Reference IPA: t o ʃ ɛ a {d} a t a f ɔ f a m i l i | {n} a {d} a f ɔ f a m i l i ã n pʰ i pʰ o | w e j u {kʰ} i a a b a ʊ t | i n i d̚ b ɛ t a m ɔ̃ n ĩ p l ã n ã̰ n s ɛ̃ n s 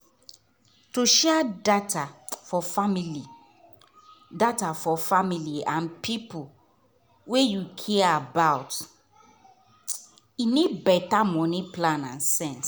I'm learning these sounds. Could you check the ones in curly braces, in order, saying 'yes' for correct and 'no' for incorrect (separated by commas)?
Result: yes, no, no, yes